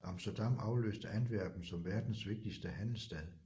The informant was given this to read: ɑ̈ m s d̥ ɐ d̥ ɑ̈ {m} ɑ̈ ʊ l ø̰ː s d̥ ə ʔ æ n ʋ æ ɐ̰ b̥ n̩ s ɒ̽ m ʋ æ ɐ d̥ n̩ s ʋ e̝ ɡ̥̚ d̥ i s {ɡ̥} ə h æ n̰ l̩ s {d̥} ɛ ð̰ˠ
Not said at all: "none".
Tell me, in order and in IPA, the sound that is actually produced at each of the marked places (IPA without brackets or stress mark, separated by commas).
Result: m, d̥, d̥